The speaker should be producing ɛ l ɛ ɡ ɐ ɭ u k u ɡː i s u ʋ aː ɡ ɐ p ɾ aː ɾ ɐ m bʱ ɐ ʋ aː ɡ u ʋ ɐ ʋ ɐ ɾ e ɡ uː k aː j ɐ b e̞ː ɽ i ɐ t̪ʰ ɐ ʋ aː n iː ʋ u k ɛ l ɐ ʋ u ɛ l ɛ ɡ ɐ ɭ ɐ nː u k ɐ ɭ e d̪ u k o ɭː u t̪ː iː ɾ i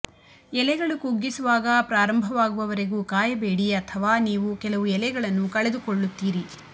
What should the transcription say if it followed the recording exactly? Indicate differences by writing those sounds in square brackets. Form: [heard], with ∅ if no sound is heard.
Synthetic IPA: ɛ l ɛ ɡ ɐ ɭ u k u ɡː i s u ʋ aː ɡ ɐ p ɾ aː ɾ ɐ m bʱ ɐ ʋ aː ɡ u ʋ ɐ ʋ ɐ ɾ e ɡ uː k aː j ɐ b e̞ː ɽ i ɐ t̪ʰ ɐ ʋ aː n iː ʋ u k ɛ l ɐ ʋ u ɛ l ɛ ɡ ɐ ɭ ɐ nː u k ɐ ɭ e d̪ u k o ɭː u t̪ː iː ɾ i